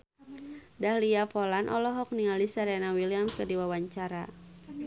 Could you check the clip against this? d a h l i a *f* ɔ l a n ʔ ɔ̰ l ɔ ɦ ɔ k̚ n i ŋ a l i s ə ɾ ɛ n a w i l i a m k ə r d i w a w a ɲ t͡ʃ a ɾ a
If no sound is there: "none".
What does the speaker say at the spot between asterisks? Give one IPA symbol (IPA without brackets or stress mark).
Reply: f